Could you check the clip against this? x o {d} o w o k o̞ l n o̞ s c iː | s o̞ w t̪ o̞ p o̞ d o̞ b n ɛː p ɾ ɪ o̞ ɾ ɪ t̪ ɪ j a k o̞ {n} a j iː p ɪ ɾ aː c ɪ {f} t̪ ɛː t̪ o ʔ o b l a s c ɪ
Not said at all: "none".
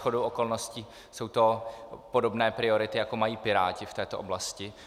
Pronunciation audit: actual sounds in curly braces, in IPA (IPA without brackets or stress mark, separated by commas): d, m, f